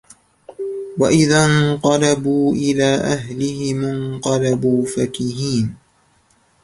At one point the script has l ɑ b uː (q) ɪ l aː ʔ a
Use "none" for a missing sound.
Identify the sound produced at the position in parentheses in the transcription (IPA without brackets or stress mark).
ʔ